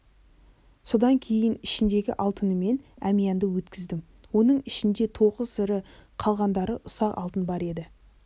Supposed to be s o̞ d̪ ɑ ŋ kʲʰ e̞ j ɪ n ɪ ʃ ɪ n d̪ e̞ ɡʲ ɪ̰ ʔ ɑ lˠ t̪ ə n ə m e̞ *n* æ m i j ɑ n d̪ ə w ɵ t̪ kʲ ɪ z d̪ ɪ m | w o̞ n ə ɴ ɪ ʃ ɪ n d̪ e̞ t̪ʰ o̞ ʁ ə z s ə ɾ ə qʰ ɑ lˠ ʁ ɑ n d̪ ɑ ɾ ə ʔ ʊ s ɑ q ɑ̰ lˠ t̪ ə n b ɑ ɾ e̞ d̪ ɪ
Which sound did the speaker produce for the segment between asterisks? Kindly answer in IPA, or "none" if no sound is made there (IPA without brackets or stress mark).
n